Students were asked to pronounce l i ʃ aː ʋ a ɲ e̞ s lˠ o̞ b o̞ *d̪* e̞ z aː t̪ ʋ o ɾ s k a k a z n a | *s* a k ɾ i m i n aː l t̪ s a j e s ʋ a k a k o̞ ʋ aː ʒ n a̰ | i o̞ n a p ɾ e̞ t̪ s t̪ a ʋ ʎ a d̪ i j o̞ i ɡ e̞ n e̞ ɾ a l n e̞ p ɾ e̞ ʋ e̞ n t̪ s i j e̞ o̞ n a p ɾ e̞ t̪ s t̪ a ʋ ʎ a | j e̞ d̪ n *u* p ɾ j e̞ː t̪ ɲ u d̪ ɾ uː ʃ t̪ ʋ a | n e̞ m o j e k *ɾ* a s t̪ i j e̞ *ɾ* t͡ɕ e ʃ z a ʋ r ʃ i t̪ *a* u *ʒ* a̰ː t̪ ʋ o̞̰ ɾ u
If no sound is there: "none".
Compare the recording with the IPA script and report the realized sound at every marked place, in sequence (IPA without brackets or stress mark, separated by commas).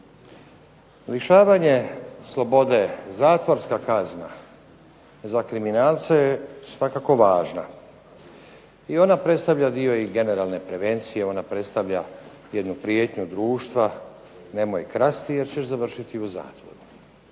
d̪, z, u, ɾ, ɾ, i, z